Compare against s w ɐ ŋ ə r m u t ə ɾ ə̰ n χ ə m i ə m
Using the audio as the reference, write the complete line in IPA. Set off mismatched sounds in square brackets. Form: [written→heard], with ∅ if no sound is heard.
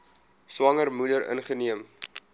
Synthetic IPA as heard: s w ɐ ŋ ə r m u [t→d] ə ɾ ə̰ n χ ə [m→n] i ə m